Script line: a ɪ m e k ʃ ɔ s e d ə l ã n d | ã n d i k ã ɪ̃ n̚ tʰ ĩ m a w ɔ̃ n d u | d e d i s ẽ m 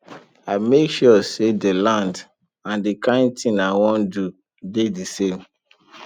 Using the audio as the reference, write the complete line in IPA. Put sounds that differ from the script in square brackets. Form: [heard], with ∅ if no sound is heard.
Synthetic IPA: a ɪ m e k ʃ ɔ s e d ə l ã n d | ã n d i k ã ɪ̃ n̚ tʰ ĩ [n] a w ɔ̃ n d u | d e d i s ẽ m